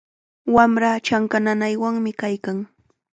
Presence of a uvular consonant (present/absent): absent